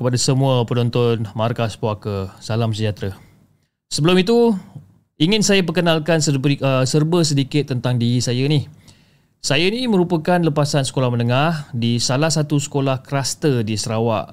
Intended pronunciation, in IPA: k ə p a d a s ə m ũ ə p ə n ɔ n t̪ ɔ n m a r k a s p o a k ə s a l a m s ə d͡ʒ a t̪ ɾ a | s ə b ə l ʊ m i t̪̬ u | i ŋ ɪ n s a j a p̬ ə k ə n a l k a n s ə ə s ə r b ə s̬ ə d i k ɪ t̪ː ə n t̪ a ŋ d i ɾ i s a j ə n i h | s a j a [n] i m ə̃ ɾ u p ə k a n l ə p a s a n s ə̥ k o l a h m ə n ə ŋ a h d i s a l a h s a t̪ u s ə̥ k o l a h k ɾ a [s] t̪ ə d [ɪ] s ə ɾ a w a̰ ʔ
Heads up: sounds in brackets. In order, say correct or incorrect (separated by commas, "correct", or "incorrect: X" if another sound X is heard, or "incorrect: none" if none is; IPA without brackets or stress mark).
correct, correct, incorrect: i